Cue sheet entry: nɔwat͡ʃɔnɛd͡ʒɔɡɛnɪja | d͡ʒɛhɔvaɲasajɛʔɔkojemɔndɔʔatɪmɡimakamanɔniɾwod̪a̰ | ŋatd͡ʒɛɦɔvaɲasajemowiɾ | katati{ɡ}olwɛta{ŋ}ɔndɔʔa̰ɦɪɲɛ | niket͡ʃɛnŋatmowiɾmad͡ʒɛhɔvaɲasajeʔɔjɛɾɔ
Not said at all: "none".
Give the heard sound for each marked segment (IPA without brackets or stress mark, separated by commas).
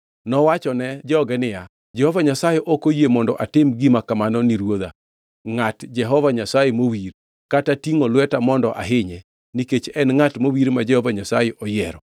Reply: ŋ, m